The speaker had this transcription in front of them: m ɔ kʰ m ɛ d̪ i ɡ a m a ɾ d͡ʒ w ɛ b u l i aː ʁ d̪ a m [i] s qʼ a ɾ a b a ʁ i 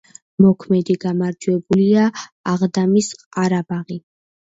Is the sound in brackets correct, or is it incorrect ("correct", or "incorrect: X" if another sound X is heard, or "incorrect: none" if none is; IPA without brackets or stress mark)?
correct